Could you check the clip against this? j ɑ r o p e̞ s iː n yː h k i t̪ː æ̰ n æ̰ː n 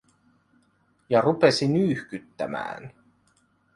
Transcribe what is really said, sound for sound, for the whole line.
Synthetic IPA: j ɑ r u p e̞ s i n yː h k y t̪ː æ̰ m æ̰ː n

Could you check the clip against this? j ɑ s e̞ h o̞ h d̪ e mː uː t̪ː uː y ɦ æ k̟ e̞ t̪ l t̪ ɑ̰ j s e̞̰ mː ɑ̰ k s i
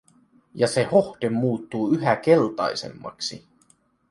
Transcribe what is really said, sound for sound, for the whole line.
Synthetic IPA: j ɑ s e̞ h o̞ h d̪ e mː uː t̪ː uː y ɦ æ k̟ e̞ l t̪ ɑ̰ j s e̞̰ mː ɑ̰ k s i

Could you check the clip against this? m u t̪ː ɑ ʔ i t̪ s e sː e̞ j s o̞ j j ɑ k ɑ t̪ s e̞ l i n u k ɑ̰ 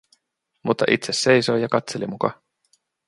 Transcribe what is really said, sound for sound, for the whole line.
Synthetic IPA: m u t̪ː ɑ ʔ i t̪ s e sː e̞ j s o̞ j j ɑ k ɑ t̪ s e̞ l i m u k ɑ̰

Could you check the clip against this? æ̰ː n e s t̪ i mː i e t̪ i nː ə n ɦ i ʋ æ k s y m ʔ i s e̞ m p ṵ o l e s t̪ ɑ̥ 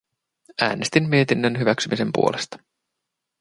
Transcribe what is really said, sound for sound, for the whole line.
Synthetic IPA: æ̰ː n e s t̪ i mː i e t̪ i nː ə n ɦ y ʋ æ k s y m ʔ i s e̞ m p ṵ o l e s t̪ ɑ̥

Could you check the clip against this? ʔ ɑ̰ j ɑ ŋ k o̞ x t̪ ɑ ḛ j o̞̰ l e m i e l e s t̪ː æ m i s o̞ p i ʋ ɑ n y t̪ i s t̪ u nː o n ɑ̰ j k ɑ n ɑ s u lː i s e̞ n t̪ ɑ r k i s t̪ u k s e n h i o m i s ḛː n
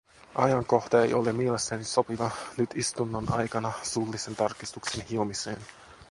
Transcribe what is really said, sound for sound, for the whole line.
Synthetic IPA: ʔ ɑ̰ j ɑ ŋ k o̞ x t̪ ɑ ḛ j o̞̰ l e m i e l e s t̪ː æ n i s o̞ p i ʋ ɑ n y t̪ i s t̪ u nː o n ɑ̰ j k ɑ n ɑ s u lː i s e̞ n t̪ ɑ r k i s t̪ u k s e n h i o m i s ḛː n

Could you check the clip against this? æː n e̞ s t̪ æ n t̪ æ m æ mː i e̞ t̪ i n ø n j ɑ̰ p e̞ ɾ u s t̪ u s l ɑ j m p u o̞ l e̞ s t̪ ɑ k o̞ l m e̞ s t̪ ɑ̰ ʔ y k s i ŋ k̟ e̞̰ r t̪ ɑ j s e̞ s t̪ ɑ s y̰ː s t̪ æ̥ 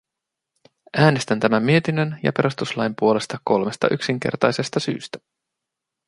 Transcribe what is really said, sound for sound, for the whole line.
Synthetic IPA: æː n e̞ s t̪ æ n t̪ æ m æ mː i e̞ t̪ i n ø n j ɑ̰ p e̞ ɾ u s t̪ u s l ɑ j m p u o̞ l e̞ s t̪ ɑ k o̞ l m e̞ s t̪ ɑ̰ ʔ y k s i ŋ k̟ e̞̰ r t̪ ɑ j s e̞ s t̪ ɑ s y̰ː s t̪ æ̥

